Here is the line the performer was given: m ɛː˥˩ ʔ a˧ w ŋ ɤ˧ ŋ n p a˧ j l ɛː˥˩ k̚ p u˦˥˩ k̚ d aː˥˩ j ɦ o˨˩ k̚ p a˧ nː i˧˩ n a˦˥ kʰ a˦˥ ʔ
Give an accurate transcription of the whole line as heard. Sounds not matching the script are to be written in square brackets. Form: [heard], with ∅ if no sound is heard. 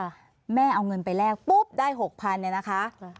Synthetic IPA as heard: m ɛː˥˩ ʔ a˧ w ŋ ɤ˧ [∅] n p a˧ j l ɛː˥˩ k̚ p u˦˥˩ [p̚] d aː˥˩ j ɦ o˨˩ k̚ [pʰ] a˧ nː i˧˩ n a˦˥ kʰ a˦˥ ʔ